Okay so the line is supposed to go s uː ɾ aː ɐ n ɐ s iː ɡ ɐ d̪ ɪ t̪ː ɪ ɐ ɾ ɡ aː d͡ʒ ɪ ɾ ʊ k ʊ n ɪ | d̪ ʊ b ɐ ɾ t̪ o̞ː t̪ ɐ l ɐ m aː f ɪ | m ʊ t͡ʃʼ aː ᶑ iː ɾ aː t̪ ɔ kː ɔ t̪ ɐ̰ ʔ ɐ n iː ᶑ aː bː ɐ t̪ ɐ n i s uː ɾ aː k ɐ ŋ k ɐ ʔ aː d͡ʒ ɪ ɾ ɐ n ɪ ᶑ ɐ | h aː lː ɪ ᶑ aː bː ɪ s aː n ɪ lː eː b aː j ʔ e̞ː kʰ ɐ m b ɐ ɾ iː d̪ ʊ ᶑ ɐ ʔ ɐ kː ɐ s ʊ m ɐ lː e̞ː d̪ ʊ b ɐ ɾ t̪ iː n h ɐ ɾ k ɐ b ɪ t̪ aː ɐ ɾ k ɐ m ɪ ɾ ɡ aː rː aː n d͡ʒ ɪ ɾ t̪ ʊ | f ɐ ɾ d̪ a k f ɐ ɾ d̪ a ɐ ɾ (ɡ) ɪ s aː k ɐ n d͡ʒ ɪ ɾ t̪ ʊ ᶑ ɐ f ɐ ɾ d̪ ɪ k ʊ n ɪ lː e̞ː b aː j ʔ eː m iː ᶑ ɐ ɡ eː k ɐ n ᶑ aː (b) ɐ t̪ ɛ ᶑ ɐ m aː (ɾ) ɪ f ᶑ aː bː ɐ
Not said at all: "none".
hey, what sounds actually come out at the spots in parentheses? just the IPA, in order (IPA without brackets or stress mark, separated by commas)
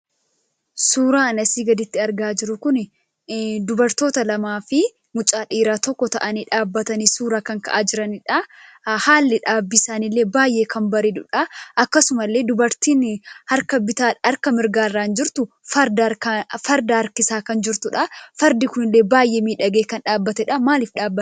k, bː, l